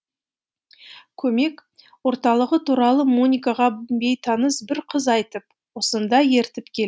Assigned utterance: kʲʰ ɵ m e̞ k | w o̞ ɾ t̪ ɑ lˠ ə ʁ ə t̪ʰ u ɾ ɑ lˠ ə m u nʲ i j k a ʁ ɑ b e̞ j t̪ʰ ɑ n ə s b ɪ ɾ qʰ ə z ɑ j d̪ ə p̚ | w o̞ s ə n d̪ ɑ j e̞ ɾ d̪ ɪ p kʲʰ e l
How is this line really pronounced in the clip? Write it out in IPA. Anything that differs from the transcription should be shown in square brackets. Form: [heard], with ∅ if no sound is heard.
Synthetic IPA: kʲʰ ɵ m e̞ k | w o̞ ɾ t̪ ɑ lˠ ə ʁ ə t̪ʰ u ɾ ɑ lˠ ə m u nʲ i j k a ʁ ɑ b e̞ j t̪ʰ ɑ n ə s b ɪ ɾ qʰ ə z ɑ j [t̪] ə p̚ | w o̞ s ə n d̪ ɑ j e̞ ɾ [t̪] ɪ p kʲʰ e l